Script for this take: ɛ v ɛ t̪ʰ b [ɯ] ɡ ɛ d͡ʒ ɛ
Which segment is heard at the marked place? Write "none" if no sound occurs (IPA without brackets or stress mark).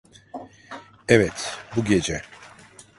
u